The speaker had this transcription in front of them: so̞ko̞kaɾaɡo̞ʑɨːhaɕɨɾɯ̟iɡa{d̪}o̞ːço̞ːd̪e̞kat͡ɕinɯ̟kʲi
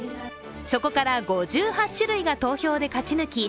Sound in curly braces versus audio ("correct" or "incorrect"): incorrect